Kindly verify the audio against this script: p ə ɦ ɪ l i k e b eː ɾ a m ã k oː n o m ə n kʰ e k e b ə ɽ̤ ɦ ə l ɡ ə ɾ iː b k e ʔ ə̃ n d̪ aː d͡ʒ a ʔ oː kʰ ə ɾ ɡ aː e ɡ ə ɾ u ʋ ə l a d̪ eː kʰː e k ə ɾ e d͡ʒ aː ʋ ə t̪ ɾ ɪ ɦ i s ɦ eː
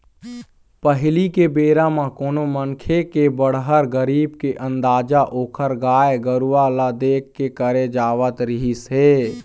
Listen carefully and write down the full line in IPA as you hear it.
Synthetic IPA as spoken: p ə ɦ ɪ l i k e b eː ɾ a m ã k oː n o m ə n kʰ e k e b ə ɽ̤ ɦ ə ɾ ɡ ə ɾ iː b k e ʔ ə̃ n d̪ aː d͡ʒ a ʔ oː kʰ ə ɾ ɡ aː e ɡ ə ɾ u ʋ a l a d̪ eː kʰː e k ə ɾ e d͡ʒ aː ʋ ə t̪ ɾ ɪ ɦ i s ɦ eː